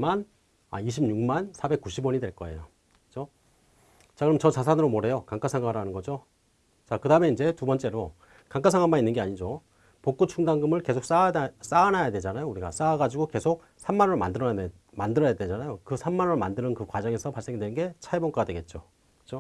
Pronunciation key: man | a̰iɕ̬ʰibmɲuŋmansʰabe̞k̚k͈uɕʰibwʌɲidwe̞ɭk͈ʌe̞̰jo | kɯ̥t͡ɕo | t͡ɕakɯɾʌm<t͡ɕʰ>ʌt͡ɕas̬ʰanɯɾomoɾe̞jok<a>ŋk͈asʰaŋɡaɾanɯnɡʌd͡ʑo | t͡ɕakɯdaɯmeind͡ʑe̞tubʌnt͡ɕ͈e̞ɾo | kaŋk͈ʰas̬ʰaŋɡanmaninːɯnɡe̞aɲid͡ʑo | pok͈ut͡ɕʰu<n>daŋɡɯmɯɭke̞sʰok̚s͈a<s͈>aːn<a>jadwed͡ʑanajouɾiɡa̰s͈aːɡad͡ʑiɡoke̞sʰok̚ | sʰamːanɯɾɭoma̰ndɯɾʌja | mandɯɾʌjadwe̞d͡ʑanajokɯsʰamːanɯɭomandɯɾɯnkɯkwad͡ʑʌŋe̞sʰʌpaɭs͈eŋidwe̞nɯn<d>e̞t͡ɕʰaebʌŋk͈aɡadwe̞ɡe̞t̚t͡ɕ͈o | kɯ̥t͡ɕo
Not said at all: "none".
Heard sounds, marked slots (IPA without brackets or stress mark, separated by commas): t͡ɕ, a, ŋ, s͈, a, ɡ